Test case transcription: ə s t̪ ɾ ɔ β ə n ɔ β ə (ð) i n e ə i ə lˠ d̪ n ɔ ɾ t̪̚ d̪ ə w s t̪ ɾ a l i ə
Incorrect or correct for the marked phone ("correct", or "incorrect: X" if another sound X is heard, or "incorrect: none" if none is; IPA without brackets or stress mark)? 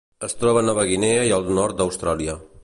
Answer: incorrect: ɣ